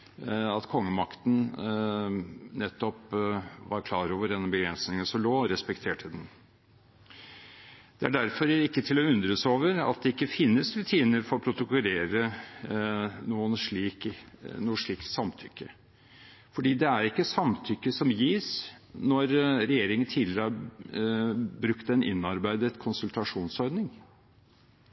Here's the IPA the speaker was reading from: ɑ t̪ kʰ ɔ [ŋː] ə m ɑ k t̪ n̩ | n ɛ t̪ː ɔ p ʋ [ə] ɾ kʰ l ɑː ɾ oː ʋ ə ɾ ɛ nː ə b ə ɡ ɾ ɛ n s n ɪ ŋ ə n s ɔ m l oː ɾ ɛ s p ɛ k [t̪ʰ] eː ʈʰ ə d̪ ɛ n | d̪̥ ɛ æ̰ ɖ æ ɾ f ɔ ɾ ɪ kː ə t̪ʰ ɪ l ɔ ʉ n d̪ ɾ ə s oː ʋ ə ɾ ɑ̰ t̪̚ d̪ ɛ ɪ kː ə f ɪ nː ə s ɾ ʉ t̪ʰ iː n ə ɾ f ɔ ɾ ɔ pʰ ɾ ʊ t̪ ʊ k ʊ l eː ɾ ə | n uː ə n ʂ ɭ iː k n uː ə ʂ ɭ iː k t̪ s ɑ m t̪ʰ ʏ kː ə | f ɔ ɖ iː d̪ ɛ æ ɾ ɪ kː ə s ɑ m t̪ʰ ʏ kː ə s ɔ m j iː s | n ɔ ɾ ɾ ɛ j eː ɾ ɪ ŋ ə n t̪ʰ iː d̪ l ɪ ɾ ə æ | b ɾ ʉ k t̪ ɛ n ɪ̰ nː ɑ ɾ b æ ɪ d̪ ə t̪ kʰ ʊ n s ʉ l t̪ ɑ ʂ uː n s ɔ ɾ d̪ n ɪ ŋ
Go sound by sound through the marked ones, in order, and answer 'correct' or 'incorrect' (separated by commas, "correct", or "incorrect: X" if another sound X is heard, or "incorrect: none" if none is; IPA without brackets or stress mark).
correct, incorrect: ɑ, correct